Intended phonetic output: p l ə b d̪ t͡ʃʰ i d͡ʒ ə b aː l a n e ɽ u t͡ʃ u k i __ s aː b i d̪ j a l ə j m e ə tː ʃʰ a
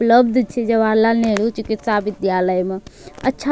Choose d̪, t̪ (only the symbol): t̪